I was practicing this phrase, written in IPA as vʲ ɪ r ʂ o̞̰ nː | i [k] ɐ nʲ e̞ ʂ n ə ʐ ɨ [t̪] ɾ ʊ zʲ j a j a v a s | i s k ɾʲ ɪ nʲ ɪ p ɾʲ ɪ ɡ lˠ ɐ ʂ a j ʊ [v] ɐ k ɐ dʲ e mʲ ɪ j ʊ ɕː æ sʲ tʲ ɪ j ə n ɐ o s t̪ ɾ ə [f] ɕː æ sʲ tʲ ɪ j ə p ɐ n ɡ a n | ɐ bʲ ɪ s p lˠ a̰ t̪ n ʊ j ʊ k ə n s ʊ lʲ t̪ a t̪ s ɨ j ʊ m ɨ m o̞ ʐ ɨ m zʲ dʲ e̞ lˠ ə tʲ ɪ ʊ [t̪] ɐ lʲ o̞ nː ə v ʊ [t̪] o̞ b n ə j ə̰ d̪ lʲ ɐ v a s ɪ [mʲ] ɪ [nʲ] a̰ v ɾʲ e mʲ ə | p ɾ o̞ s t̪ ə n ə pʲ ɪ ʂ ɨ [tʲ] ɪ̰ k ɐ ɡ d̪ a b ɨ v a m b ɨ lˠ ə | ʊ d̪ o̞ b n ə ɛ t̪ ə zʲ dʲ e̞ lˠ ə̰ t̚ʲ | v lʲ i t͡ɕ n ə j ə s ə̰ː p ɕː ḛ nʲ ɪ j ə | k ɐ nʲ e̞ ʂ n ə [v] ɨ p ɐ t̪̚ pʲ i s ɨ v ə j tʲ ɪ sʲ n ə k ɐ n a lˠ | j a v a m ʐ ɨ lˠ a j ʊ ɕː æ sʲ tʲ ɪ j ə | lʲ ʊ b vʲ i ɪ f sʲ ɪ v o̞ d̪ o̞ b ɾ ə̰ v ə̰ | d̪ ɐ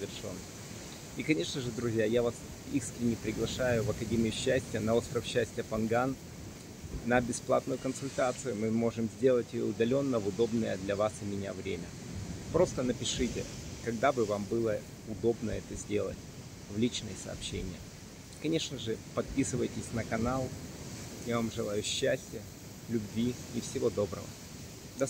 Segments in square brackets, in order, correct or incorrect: correct, incorrect: d̪, correct, correct, incorrect: d̪, incorrect: d̪, correct, correct, correct, incorrect: ʐ

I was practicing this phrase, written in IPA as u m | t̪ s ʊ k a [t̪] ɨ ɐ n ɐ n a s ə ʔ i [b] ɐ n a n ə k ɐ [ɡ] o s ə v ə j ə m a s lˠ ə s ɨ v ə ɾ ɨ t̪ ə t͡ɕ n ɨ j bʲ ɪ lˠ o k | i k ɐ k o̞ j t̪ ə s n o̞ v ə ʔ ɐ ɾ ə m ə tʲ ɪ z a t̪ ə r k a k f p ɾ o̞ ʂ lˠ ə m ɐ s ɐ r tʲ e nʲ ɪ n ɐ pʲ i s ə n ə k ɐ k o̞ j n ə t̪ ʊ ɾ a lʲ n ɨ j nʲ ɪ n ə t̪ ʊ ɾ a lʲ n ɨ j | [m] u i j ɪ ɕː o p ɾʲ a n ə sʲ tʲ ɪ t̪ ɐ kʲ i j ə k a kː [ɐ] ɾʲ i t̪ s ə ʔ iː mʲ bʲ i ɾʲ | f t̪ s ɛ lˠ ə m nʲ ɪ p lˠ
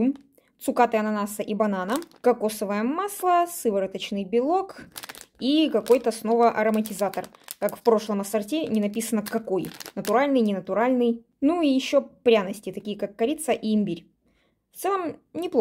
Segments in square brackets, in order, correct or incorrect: correct, correct, incorrect: k, incorrect: n, correct

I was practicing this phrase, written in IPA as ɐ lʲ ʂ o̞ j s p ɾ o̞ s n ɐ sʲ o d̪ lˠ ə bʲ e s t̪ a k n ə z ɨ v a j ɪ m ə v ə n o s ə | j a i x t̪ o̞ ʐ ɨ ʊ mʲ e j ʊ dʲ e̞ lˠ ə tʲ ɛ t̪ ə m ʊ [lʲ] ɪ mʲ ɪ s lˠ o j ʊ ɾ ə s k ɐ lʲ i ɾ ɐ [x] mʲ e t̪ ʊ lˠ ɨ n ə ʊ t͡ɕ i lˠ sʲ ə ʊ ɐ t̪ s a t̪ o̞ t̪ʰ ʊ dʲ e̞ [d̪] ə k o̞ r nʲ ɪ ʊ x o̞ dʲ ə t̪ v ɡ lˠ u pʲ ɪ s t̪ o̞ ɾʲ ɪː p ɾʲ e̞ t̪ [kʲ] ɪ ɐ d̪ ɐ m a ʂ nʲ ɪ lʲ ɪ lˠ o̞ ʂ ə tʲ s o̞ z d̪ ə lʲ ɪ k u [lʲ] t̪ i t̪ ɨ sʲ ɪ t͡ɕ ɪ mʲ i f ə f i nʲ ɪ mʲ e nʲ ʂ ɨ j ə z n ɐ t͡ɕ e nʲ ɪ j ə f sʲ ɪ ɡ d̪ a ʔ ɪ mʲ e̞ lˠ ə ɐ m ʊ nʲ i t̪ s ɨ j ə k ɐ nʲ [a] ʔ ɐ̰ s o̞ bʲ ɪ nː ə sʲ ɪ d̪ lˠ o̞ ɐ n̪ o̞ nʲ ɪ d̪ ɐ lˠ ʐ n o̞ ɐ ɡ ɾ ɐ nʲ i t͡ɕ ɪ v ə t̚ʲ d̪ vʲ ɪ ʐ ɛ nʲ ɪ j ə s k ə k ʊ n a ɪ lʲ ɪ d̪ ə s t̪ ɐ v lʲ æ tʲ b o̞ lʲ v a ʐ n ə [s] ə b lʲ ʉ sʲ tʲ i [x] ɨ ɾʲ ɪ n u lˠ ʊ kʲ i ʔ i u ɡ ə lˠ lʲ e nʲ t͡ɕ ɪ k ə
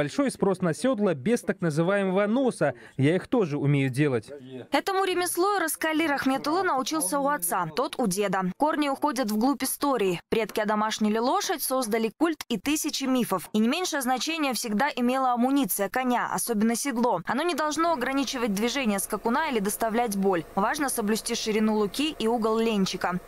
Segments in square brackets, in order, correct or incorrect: incorrect: ɾʲ, correct, correct, correct, correct, correct, correct, incorrect: ʂ

